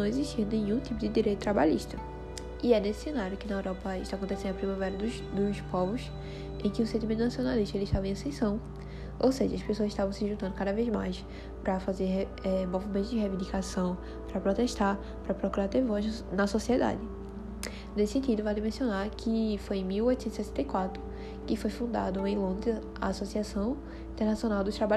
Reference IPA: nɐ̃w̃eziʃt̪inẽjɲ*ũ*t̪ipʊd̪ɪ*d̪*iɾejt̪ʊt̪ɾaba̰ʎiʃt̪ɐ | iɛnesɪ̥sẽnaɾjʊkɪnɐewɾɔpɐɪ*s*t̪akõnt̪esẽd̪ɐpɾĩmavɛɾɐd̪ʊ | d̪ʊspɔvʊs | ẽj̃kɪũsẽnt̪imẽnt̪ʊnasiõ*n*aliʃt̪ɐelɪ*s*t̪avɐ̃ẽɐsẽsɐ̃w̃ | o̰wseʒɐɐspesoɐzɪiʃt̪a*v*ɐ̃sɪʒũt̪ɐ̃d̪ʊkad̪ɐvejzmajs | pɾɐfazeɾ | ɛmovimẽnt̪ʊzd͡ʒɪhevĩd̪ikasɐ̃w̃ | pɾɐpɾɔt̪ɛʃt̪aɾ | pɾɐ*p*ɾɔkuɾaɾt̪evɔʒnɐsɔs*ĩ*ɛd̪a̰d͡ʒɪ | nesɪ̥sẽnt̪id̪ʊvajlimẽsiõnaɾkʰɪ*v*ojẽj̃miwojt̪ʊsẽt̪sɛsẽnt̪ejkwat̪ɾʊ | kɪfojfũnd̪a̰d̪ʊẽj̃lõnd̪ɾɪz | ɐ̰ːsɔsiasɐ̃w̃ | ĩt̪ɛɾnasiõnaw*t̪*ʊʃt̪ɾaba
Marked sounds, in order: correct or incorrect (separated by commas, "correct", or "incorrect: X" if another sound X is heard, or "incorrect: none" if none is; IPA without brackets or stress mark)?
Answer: correct, correct, incorrect: ʃ, correct, incorrect: ʃ, correct, correct, incorrect: i, incorrect: f, incorrect: d̪